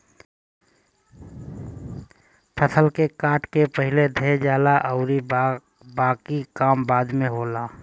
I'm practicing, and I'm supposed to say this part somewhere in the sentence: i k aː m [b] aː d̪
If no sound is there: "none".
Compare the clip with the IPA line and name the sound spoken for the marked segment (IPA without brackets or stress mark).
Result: b